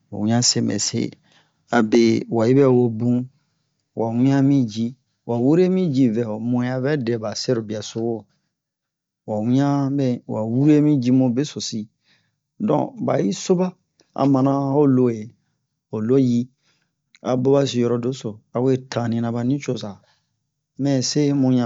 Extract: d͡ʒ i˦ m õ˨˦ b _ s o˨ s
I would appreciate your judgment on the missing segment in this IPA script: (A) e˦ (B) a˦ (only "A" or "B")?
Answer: A